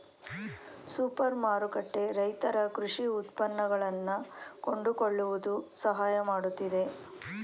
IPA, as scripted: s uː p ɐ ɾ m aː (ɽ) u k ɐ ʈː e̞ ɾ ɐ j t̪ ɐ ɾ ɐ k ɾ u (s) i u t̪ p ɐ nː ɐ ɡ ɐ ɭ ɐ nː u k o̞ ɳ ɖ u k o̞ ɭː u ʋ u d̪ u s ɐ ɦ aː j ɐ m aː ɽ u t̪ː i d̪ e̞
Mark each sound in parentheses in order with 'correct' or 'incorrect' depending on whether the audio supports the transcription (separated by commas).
incorrect, incorrect